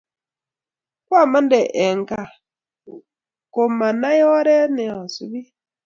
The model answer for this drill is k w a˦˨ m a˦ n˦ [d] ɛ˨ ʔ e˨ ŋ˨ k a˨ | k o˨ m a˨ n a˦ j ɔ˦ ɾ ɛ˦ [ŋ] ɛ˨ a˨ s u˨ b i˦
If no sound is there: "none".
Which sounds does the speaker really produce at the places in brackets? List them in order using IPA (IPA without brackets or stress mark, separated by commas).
d, n